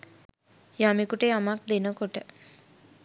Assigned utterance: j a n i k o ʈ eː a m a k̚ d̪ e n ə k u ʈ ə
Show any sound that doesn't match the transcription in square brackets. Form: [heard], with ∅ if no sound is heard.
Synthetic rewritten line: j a [m] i k [u] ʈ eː a m a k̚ d̪ e n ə k [o] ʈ ə